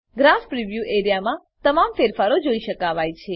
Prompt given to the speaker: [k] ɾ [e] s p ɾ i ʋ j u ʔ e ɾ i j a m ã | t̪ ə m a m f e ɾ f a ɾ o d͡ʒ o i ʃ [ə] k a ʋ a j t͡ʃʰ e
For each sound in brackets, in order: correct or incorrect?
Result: incorrect: ɡ, incorrect: a, correct

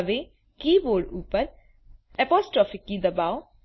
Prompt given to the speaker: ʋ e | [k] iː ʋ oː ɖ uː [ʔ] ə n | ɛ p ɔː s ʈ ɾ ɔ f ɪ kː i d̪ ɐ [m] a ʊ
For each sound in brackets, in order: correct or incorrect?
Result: correct, incorrect: p, incorrect: b

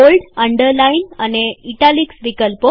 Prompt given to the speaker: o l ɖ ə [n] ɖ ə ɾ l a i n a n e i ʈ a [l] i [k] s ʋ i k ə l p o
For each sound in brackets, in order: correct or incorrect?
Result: incorrect: ɳ, correct, correct

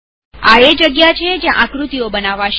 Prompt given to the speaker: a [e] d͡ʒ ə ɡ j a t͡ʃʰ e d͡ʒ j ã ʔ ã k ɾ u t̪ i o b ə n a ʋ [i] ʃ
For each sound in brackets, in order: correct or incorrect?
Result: correct, incorrect: a

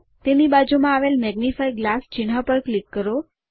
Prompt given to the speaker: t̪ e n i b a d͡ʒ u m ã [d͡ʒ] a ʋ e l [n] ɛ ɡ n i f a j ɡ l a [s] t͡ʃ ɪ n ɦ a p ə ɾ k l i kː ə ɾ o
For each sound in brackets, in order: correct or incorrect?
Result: incorrect: none, incorrect: m, correct

